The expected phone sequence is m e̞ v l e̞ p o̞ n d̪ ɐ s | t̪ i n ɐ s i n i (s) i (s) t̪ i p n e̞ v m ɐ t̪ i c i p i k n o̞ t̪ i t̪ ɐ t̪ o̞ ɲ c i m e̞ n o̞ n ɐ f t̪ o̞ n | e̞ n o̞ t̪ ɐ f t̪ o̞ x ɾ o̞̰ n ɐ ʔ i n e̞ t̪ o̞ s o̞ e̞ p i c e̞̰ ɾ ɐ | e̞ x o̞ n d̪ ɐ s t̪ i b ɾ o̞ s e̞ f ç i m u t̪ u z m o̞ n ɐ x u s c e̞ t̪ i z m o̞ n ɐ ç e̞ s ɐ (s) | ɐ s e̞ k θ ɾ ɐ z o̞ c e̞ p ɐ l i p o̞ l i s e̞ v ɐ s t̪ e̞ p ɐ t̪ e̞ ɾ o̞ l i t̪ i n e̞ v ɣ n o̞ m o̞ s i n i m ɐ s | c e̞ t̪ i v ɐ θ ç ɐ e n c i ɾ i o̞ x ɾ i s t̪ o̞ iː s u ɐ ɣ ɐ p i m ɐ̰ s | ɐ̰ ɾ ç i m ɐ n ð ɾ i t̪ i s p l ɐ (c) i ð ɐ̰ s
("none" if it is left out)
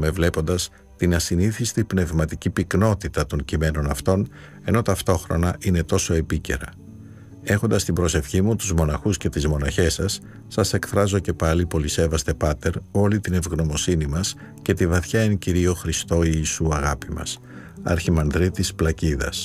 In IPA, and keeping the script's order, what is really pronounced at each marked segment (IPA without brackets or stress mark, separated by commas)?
θ, s, sː, c